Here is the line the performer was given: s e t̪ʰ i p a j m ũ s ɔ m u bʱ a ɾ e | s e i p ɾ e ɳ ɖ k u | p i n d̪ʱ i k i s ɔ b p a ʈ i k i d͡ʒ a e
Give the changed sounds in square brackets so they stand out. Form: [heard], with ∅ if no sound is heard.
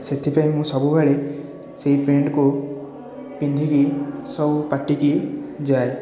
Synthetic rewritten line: s e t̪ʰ i p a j m ũ s ɔ [b] u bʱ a [ɭ] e | s e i p ɾ e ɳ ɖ k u | p i n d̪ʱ i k i s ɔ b p a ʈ i k i d͡ʒ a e